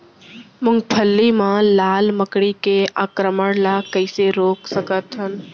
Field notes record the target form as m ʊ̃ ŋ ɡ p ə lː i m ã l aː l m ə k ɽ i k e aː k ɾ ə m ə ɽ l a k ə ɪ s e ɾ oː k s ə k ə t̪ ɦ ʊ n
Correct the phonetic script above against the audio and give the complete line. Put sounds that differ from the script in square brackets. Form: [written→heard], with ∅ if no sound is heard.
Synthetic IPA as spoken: m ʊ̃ ŋ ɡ [p→pʰ] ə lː i m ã l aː l m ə k ɽ i k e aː k ɾ ə m ə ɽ l a k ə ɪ s e ɾ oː k s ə k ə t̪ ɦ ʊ n